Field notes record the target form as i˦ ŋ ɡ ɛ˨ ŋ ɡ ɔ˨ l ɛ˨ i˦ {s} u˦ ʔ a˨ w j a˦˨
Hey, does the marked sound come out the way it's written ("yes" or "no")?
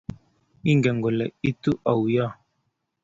no